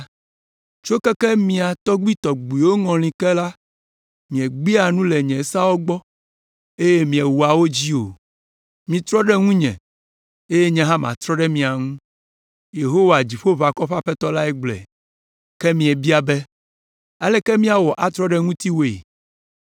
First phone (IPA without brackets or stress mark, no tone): t͡ʃ